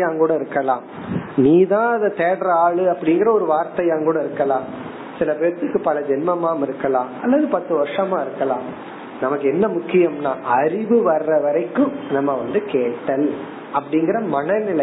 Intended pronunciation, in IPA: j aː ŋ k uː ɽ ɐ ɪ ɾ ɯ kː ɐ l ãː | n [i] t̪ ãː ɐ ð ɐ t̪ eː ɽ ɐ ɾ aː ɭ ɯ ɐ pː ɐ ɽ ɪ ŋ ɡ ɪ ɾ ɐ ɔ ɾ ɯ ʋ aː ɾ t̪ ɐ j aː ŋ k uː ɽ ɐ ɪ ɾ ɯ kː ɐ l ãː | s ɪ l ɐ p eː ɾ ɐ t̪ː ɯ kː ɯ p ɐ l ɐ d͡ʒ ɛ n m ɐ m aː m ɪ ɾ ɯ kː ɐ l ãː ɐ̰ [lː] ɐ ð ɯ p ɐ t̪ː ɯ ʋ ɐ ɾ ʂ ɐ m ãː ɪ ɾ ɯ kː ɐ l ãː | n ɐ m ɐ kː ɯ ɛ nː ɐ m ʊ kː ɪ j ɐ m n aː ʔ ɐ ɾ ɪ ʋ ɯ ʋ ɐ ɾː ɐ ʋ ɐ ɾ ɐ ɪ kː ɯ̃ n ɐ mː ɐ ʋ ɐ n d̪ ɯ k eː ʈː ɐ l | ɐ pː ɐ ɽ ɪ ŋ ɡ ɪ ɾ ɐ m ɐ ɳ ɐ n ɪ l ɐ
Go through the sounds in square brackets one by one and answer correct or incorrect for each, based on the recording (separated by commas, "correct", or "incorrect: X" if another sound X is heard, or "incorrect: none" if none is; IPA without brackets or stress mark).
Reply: incorrect: iː, correct